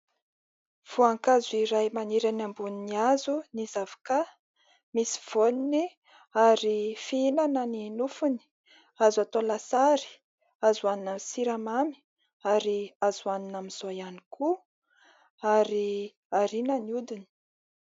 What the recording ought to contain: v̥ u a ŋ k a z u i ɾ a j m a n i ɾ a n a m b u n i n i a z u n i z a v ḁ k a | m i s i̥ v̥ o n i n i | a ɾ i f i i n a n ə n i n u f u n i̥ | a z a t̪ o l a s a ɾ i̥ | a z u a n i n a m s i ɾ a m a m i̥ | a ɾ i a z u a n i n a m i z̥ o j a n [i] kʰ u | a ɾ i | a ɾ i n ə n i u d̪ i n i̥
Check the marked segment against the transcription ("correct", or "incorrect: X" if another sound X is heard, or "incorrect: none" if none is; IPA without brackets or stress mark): correct